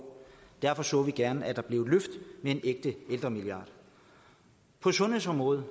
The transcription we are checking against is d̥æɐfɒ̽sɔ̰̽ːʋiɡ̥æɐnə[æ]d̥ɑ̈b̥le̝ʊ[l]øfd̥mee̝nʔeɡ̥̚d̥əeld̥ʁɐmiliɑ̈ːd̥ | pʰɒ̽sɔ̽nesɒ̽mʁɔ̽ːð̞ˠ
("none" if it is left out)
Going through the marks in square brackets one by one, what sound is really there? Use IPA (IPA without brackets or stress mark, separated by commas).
æ, l